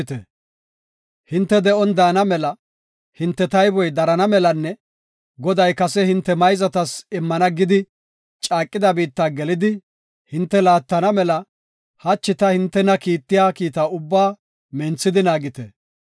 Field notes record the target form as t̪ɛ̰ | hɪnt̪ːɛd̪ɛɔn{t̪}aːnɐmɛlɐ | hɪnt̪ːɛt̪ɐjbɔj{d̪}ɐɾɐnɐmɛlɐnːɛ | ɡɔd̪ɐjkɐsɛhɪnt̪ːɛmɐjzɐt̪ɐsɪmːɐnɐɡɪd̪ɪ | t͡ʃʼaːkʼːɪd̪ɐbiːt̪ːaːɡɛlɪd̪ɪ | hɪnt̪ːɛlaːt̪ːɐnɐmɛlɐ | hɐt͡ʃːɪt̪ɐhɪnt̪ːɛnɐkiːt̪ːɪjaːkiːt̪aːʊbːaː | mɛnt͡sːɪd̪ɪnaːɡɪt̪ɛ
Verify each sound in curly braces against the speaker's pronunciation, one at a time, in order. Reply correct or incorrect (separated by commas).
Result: incorrect, correct